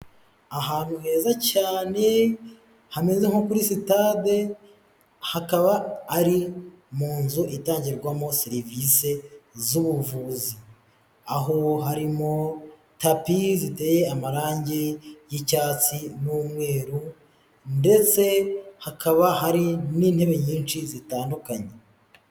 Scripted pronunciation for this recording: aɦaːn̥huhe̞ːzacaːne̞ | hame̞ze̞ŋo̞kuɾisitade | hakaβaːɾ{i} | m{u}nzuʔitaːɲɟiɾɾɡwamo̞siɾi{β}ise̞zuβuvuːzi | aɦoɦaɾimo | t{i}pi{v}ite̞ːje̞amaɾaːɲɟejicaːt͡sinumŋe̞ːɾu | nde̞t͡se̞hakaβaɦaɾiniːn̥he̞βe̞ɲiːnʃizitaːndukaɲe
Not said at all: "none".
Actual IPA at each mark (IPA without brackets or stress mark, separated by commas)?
i, uː, v, a, z